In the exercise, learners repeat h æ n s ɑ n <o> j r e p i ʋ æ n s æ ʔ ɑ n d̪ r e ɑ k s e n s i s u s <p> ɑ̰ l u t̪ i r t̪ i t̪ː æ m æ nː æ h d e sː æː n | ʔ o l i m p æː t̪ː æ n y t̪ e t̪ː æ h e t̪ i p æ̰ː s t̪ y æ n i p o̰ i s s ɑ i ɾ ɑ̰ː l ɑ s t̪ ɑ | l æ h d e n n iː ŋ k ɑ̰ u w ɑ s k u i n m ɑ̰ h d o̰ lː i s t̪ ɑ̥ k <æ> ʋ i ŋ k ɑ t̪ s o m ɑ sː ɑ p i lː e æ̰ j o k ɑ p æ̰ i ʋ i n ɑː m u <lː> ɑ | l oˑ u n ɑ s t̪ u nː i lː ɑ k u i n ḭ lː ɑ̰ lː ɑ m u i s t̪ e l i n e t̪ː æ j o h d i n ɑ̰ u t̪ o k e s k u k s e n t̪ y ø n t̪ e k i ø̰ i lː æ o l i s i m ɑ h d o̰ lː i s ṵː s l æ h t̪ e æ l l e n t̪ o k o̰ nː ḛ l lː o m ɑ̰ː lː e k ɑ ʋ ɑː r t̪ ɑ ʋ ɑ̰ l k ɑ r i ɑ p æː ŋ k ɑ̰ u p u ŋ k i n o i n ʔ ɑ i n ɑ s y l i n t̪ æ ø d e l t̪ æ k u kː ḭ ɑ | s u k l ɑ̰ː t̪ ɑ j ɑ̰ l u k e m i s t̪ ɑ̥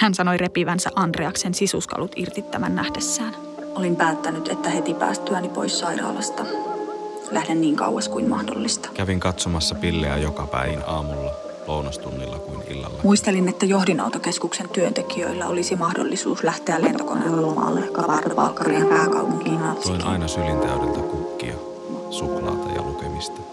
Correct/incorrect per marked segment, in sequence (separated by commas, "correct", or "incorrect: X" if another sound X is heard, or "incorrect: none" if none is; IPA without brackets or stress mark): correct, incorrect: k, correct, correct